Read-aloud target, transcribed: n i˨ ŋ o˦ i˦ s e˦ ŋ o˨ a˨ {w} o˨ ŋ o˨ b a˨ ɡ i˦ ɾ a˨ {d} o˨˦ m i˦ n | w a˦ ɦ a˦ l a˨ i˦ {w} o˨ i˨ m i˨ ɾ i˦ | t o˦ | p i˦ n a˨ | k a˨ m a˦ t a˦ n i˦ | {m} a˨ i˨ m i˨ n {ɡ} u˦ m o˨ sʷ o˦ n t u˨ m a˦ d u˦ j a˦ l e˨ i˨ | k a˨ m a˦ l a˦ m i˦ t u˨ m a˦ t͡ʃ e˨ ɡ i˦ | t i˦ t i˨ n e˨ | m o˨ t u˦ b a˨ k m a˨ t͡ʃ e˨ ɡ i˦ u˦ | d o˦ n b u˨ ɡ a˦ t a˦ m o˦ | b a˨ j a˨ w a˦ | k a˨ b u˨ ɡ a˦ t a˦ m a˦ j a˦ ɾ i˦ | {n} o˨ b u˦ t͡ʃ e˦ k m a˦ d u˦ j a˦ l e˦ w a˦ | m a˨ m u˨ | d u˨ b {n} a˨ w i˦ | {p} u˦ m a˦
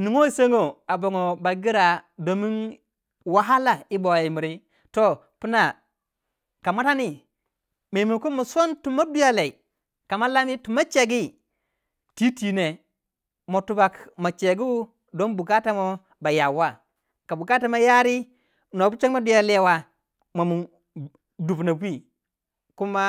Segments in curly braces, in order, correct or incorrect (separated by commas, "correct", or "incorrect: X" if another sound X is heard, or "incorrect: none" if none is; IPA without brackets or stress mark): incorrect: b, correct, incorrect: b, correct, incorrect: k, correct, correct, incorrect: k